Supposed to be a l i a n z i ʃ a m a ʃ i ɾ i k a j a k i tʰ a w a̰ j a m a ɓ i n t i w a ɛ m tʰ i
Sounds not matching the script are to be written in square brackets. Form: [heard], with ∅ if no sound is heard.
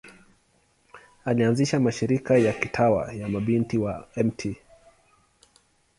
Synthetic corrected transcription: a l i a n z i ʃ a m a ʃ i ɾ i k a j a k i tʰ a w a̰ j a m a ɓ i n t i w a ɛ m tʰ i